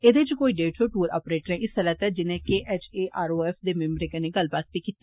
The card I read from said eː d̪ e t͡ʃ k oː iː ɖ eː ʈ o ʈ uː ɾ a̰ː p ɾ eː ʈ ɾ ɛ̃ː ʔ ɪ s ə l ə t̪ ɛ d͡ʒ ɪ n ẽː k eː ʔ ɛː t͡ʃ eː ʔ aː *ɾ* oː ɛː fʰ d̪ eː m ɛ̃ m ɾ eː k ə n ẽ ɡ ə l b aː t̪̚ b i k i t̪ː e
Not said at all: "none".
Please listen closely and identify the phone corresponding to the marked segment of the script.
ɾ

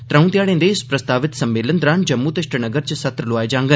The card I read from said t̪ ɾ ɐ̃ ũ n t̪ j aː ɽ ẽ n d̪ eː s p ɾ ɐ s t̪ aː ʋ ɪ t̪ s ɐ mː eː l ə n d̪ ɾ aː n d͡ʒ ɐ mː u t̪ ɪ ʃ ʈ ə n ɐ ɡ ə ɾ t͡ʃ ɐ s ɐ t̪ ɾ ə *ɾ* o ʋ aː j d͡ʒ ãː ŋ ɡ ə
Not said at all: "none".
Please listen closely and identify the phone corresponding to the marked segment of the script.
l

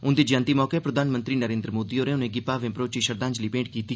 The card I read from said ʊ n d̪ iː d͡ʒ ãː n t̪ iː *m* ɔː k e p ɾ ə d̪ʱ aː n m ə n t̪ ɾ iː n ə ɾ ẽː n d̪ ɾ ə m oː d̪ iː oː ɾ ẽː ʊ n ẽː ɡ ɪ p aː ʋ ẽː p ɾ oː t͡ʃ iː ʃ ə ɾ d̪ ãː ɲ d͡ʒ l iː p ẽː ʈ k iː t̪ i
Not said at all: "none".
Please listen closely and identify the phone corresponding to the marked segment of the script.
m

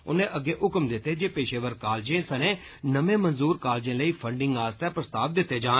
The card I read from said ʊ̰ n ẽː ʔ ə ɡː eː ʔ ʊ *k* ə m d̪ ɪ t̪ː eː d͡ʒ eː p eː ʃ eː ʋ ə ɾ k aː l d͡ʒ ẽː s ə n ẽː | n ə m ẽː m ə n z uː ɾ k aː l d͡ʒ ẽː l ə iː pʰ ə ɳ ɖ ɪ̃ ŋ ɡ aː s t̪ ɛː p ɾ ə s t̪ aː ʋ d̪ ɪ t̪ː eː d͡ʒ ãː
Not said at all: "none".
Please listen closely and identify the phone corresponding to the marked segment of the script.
k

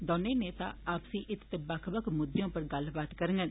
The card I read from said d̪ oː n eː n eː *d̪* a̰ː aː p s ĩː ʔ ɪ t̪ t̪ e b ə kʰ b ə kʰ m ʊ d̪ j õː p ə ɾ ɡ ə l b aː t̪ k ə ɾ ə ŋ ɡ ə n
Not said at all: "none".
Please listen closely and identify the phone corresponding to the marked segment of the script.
t̪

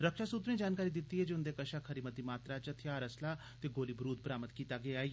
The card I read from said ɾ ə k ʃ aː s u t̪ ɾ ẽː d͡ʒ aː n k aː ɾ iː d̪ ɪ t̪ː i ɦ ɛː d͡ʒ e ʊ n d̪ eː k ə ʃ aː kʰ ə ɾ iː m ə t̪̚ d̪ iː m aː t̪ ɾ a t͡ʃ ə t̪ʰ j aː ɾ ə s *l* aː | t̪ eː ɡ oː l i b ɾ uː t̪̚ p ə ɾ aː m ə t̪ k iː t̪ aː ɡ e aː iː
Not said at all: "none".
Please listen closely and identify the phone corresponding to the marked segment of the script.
l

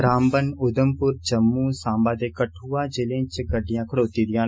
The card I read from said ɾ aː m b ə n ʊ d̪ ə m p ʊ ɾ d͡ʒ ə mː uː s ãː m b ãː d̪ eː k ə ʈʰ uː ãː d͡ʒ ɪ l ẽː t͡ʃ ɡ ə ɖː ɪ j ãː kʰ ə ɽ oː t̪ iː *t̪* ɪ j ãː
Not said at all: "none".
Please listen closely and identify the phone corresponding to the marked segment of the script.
d̪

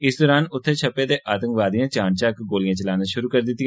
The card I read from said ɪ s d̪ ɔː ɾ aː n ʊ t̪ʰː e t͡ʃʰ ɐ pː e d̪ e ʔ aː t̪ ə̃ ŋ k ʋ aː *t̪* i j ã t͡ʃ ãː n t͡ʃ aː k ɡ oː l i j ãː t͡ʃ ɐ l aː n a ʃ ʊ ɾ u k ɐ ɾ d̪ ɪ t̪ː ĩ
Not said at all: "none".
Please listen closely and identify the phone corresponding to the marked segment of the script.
d̪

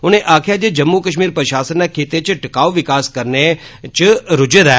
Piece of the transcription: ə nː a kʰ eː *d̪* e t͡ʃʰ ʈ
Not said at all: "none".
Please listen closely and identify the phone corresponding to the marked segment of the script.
t̪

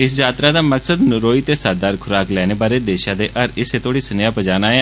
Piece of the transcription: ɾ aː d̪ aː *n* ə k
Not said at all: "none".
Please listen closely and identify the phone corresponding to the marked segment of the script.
m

